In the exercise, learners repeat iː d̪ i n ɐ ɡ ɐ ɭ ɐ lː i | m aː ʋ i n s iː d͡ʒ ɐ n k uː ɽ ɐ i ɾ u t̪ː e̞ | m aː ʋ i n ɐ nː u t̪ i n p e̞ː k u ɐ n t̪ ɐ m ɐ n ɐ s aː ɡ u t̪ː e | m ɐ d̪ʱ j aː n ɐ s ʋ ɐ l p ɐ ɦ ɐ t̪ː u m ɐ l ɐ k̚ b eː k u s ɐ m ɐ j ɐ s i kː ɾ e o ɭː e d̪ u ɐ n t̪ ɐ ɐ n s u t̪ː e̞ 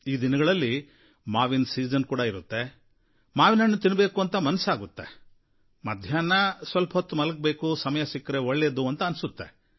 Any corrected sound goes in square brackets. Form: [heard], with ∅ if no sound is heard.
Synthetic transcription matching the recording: iː d̪ i n ɐ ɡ ɐ ɭ ɐ lː i | m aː ʋ i n s iː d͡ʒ ɐ n k uː ɽ ɐ i ɾ u t̪ː e̞ | m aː ʋ i n ɐ nː u t̪ i n [b] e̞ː k u ɐ n t̪ ɐ m ɐ n ɐ s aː ɡ u t̪ː e | m ɐ d̪ʱ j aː n ɐ s ʋ ɐ l p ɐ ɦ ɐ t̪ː u m ɐ l ɐ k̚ b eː k u s ɐ m ɐ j ɐ s i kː ɾ e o ɭː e d̪ u ɐ n t̪ ɐ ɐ n s u t̪ː e̞